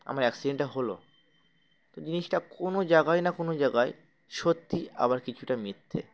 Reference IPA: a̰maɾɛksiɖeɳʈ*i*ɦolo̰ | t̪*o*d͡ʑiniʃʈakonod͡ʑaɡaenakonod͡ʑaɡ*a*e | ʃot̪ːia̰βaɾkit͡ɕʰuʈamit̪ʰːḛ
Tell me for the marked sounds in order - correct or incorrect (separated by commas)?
incorrect, correct, correct